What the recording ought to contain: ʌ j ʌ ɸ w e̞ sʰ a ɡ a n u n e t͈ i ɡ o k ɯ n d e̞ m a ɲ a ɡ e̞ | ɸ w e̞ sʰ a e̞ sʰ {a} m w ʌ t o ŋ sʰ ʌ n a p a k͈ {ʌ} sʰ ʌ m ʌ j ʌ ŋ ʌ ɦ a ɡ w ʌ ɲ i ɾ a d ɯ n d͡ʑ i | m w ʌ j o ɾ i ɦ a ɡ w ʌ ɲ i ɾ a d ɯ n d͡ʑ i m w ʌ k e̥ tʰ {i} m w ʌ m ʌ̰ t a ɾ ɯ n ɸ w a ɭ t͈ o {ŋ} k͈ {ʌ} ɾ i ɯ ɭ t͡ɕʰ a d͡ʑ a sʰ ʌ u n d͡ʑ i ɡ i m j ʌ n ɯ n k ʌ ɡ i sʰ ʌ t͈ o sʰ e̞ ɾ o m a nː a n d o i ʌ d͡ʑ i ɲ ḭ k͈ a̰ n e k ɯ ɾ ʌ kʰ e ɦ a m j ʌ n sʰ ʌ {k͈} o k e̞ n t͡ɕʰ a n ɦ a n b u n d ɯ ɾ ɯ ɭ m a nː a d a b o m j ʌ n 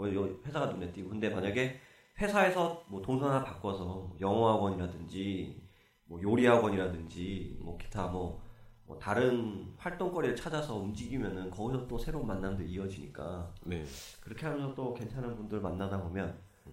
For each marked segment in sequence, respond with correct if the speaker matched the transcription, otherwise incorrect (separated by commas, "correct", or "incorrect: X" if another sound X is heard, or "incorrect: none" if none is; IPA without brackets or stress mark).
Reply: incorrect: ʌ, correct, incorrect: a, correct, correct, incorrect: t͈